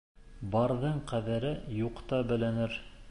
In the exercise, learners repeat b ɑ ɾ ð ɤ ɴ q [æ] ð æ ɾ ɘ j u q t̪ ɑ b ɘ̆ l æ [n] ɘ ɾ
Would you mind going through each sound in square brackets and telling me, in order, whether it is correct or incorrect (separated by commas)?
correct, correct